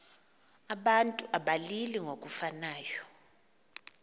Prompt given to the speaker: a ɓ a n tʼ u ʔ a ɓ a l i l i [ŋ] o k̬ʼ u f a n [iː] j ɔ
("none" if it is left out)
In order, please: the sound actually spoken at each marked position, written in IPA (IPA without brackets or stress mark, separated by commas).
ŋ, aː